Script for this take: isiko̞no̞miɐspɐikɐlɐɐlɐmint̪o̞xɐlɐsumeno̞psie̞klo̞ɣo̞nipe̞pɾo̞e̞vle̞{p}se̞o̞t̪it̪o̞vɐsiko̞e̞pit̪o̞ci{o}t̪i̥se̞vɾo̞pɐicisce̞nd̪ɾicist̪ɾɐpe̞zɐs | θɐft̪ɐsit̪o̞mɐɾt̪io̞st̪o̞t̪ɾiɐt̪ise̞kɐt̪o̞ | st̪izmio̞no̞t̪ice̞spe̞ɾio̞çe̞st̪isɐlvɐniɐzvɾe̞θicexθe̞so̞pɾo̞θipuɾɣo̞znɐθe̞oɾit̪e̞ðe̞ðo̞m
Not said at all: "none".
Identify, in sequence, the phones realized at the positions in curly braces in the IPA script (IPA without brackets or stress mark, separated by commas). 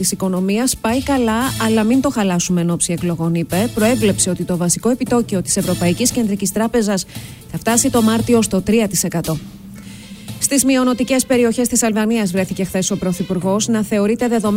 p, o